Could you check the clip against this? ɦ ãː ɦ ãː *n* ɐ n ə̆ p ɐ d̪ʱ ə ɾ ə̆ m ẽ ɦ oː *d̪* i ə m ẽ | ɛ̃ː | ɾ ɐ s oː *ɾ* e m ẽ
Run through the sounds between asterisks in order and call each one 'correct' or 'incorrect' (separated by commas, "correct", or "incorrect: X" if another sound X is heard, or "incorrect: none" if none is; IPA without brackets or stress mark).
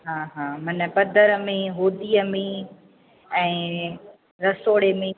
incorrect: m, correct, incorrect: ɽ